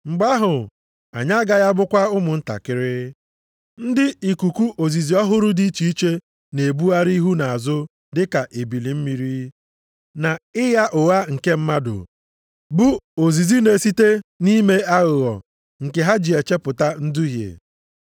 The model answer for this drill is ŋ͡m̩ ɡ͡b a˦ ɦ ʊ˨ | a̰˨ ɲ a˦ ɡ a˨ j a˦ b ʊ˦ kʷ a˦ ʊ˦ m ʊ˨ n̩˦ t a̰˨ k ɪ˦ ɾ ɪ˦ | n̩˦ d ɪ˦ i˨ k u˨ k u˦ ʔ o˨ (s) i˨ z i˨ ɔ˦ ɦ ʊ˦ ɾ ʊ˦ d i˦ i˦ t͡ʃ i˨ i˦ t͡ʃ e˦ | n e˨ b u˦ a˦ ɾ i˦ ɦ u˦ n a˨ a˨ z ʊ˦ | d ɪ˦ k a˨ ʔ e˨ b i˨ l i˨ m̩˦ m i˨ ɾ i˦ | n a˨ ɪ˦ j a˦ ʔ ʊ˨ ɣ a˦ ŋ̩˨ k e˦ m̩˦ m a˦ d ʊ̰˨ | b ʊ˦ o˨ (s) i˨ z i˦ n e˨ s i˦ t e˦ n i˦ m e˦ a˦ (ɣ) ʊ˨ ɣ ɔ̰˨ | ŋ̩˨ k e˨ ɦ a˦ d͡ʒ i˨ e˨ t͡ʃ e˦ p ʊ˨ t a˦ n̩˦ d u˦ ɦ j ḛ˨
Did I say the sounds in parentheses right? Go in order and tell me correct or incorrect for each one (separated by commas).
incorrect, incorrect, correct